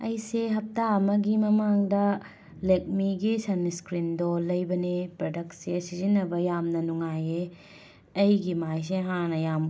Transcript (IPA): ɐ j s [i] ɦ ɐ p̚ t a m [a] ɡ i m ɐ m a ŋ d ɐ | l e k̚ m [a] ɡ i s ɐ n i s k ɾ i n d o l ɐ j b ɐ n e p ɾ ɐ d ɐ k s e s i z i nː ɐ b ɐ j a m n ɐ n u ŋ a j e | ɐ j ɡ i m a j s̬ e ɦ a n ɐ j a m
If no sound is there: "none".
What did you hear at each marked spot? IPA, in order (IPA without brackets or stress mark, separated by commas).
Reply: e, ɐ, i